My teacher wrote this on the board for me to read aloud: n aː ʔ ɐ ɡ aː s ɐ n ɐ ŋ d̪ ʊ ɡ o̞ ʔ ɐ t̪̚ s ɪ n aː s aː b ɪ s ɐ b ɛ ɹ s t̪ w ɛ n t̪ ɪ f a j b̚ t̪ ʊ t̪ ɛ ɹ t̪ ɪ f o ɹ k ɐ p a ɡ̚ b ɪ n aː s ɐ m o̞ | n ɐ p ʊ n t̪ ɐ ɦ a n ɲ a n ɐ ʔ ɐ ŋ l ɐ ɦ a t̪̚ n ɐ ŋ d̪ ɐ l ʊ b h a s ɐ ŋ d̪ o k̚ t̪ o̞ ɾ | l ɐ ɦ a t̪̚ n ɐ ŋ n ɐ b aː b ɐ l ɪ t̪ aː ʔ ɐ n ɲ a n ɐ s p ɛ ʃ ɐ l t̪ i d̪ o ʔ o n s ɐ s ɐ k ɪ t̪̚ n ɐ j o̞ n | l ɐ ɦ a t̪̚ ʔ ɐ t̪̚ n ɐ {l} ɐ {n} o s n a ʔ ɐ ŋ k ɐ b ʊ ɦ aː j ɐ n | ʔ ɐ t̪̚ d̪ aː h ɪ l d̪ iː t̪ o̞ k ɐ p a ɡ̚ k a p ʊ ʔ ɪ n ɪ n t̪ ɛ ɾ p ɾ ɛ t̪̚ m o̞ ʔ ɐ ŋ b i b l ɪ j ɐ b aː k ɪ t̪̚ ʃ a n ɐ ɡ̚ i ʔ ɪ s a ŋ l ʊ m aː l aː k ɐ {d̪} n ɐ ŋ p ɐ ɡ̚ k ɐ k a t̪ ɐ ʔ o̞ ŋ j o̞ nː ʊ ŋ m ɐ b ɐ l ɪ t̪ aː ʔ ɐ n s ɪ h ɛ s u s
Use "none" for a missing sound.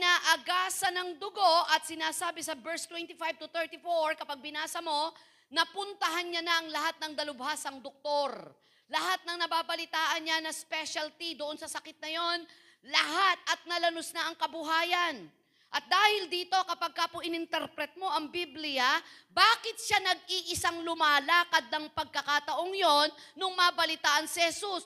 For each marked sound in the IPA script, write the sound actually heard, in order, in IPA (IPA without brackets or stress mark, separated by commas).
l, n, d̪